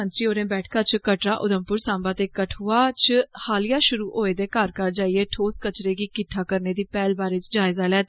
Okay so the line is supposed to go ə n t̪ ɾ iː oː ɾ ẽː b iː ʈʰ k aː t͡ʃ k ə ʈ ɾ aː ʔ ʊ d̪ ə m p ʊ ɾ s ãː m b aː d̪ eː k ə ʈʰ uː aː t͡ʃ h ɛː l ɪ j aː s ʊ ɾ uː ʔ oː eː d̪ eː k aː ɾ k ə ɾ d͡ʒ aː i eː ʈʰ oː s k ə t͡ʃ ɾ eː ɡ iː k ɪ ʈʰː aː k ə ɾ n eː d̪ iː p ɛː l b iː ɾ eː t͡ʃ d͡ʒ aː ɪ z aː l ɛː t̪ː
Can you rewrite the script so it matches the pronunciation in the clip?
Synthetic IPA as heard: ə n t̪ ɾ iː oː ɾ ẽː b ɛː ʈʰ k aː t͡ʃ k ə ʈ ɾ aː ʔ ʊ d̪ ə m p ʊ ɾ s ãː m b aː t̪ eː k ə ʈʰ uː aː t͡ʃ h aː l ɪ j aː ʃ ʊ ɾ uː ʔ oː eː d̪ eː k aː ɾ k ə ɾ d͡ʒ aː i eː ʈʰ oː s k ə t͡ʃ ɾ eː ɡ iː k ɪ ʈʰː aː k ə ɾ n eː d̪ iː p ɛː l b aː ɾ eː t͡ʃ d͡ʒ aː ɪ z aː l ɛː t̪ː